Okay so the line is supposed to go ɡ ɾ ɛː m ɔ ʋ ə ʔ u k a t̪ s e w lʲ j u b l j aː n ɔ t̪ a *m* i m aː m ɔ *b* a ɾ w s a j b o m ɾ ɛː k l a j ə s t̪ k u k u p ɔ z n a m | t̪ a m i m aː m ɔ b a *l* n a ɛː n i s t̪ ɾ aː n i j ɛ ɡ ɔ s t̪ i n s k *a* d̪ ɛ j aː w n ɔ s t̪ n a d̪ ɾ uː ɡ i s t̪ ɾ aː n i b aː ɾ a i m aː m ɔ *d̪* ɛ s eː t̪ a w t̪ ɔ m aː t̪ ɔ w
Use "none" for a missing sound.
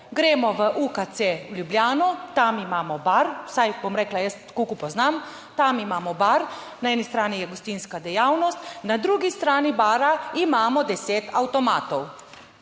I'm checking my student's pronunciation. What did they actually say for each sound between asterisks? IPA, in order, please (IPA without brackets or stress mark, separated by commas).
m, b, ɾ, a, d̪